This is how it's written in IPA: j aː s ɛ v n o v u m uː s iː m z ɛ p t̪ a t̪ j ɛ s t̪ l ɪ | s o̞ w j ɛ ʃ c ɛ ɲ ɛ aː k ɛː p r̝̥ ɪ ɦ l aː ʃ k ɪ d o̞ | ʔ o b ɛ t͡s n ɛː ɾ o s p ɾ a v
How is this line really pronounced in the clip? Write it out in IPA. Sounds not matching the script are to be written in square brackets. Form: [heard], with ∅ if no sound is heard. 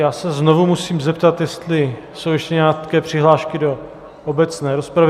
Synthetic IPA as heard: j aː s ɛ [z] n o v u m [u] s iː m z ɛ p t̪ a t̪ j ɛ s t̪ l ɪ | s o̞ w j ɛ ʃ c ɛ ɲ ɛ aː k ɛː p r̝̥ ɪ ɦ l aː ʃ k ɪ d o̞ | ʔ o b ɛ t͡s n ɛː ɾ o s p ɾ a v